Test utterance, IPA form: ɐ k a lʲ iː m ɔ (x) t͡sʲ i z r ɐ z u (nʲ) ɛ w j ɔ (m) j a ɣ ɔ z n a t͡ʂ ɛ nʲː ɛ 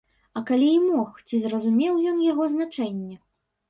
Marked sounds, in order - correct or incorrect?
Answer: correct, incorrect: mʲ, incorrect: n

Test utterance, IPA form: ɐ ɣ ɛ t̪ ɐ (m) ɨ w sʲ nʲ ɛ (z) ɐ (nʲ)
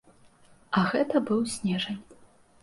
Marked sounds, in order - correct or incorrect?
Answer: incorrect: b, incorrect: ʐ, correct

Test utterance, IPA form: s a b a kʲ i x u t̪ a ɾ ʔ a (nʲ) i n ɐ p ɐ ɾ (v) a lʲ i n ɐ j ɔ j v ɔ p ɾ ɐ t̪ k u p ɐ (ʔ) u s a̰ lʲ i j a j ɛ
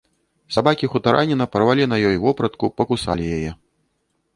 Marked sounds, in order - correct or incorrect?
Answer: correct, correct, incorrect: k

